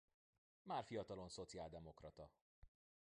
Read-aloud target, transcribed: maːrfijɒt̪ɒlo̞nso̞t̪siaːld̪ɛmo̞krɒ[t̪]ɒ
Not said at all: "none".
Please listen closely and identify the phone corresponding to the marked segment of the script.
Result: t̪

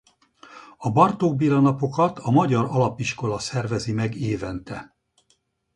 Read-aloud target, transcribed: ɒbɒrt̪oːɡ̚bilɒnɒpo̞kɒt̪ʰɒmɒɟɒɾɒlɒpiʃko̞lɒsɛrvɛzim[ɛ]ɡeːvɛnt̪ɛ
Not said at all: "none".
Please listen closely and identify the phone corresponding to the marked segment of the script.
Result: ɛ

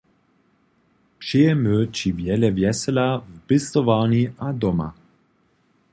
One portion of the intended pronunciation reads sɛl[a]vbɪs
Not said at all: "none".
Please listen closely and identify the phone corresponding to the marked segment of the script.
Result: a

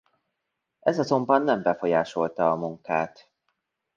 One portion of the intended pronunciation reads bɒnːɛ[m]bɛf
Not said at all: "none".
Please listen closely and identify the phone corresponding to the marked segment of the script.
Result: m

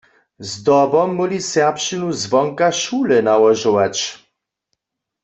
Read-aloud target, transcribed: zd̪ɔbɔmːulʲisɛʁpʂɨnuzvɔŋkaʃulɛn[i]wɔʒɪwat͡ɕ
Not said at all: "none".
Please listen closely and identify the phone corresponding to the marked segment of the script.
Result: a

